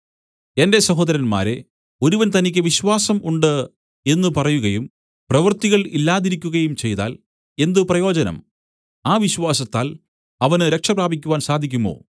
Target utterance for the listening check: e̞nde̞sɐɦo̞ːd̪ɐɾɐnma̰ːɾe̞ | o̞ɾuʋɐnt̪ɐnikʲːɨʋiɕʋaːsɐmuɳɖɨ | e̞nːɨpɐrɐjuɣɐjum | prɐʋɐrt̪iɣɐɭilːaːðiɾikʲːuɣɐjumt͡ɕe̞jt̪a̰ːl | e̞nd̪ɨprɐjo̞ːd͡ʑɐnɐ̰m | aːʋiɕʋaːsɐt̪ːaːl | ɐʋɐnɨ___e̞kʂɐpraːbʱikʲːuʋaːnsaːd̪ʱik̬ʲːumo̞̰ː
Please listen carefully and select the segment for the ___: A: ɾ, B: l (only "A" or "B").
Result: A